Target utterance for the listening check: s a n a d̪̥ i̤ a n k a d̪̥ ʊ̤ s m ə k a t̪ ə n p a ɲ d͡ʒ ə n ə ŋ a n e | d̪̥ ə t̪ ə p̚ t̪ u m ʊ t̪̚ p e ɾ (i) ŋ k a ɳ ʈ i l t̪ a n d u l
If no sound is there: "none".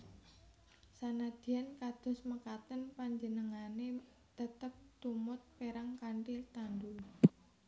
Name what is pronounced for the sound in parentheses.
a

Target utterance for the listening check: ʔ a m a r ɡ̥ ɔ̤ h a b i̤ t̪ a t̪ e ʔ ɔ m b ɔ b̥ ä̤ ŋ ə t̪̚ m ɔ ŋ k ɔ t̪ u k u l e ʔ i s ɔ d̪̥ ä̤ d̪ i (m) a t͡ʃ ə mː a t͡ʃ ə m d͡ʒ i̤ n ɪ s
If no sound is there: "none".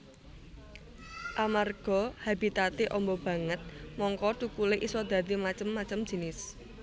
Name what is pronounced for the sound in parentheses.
m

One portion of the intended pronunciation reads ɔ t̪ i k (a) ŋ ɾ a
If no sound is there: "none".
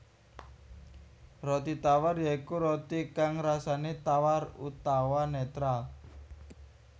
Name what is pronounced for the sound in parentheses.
a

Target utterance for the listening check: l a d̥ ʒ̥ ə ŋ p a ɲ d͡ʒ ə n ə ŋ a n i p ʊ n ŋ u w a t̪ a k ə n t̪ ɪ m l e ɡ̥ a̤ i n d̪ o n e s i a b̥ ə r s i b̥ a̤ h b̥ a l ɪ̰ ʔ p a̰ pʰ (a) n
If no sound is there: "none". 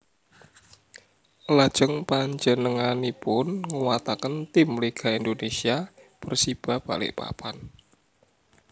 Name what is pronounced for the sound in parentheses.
a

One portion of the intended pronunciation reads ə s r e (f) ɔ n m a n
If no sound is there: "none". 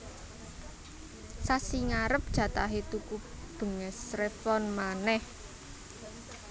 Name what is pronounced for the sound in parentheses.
f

